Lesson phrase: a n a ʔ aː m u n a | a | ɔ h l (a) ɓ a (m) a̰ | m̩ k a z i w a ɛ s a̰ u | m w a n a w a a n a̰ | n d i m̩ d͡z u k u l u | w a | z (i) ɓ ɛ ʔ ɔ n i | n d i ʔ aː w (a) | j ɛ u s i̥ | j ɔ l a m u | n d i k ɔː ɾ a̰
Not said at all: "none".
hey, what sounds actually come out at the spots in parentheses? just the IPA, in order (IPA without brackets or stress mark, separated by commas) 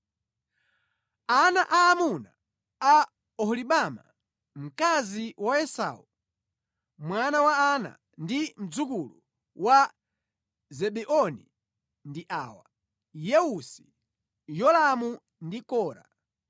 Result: i, m, ɛ, a